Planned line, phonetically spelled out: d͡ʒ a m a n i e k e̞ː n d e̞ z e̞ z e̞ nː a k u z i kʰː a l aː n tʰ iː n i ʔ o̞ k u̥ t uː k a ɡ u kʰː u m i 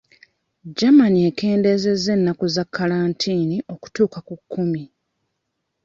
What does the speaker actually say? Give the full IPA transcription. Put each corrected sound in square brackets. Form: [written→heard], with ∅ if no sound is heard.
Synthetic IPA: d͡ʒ a m a n i e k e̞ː n d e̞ z e̞ z e̞ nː a k u z [i→a] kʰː a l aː n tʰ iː n i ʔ o̞ k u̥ t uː k a [ɡ→k] u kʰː u m i